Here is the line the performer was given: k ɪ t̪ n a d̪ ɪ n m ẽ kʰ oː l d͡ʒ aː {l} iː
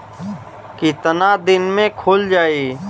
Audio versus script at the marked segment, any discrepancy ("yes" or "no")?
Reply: yes